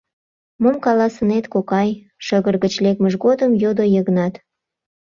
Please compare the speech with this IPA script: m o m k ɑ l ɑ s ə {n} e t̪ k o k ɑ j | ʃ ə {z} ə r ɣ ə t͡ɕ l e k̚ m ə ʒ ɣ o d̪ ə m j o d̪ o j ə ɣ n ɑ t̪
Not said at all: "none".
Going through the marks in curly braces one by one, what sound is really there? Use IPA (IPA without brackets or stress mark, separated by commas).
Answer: n, ɣ